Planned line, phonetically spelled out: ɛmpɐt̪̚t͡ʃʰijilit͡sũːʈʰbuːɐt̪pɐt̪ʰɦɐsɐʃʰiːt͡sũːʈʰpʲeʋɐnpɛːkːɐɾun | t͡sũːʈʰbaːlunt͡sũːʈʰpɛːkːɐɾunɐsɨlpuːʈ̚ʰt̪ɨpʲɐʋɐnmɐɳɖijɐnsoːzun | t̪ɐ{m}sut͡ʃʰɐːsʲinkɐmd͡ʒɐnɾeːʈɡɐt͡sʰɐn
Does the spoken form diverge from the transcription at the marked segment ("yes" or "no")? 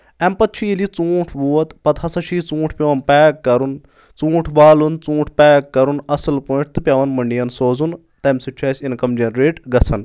no